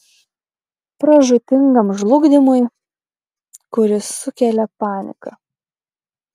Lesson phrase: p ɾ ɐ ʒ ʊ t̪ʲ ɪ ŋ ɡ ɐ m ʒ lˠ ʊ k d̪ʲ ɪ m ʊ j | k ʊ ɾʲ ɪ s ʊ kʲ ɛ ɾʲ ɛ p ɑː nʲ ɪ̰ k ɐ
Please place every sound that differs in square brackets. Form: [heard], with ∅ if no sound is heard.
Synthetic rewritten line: p ɾ ɐ ʒ ʊ t̪ʲ ɪ ŋ ɡ ɐ m ʒ lˠ ʊ [ɡ] d̪ʲ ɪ m ʊ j | k ʊ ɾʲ ɪ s ʊ kʲ ɛ [lʲ] ɛ p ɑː nʲ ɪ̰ k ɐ

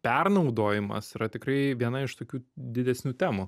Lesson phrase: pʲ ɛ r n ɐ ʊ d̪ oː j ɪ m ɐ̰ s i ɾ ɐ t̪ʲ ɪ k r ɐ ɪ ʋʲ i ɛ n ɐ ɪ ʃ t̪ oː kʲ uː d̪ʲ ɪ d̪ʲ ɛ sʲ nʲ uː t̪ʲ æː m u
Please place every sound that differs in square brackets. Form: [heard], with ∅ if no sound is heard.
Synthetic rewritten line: pʲ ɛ r n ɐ ʊ d̪ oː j ɪ m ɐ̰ s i ɾ ɐ t̪ʲ ɪ k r ɐ ɪ ʋʲ i ɛ n ɐ ɪ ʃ t̪ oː kʲ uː d̪ʲ ɪ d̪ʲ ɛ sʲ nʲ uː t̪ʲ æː m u

